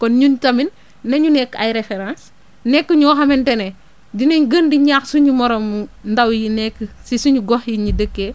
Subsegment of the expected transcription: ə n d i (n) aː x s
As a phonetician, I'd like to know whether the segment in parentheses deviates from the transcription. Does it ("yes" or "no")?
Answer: yes